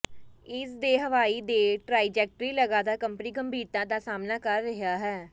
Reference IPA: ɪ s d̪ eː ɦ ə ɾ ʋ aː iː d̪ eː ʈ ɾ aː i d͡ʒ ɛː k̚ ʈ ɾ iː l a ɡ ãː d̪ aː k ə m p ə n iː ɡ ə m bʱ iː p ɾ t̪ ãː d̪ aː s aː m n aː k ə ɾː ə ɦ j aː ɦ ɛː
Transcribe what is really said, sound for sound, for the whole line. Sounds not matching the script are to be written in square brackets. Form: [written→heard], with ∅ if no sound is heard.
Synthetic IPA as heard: ɪ s d̪ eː ɦ ə [ɾ→∅] ʋ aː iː d̪ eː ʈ ɾ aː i d͡ʒ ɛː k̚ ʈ ɾ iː l [a→ə] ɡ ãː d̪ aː k ə m p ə n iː ɡ ə m bʱ iː [p→∅] ɾ t̪ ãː d̪ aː s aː m n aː k ə ɾː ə ɦ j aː ɦ ɛː